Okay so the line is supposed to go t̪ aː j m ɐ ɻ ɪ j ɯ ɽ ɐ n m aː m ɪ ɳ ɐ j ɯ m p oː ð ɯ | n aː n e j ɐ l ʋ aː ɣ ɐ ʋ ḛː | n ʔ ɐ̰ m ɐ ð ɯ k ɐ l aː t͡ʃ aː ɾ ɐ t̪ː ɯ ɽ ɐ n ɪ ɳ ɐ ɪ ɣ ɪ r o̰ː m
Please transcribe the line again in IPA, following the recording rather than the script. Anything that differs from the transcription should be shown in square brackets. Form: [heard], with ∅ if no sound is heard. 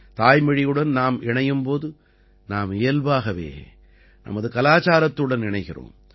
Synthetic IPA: t̪ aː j m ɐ ɻ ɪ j ɯ ɽ ɐ n [n] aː m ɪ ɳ ɐ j ɯ m p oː ð ɯ | n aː [m] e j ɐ l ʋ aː ɣ ɐ ʋ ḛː | n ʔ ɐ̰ m ɐ ð ɯ k ɐ l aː t͡ʃ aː ɾ ɐ t̪ː ɯ ɽ ɐ n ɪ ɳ ɐ ɪ ɣ ɪ r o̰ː m